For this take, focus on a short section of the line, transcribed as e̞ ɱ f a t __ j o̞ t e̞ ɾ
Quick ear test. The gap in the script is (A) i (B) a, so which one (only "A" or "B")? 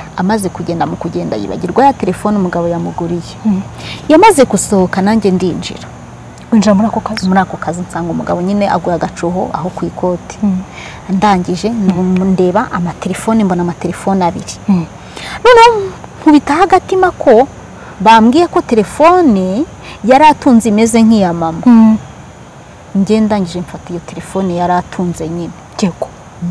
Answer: A